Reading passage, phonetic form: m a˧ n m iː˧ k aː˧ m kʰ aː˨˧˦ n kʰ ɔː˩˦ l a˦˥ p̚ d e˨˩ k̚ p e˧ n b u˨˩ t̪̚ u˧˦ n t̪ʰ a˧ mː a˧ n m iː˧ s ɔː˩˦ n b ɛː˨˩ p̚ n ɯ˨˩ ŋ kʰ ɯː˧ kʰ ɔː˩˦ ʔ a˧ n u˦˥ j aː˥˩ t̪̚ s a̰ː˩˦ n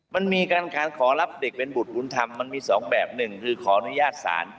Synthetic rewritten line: m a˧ n m iː˧ k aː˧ n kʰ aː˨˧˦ n kʰ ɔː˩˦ l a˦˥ p̚ d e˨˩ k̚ p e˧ n b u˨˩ t̪̚ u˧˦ n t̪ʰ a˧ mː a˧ n m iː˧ s ɔː˩˦ ŋ b ɛː˨˩ p̚ n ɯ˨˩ ŋ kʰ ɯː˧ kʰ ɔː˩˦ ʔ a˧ n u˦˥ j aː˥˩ t̪̚ s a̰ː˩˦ n